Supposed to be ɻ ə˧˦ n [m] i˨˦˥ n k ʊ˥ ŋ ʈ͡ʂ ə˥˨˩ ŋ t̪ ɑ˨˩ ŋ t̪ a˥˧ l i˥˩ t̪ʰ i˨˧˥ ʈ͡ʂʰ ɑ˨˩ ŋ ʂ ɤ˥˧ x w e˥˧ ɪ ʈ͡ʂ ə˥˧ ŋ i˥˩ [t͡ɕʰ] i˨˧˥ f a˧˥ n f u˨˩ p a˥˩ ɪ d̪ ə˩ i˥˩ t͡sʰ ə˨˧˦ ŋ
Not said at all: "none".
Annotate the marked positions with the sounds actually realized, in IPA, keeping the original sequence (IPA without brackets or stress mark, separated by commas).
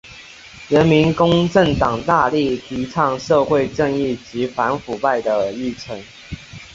m, t͡ɕ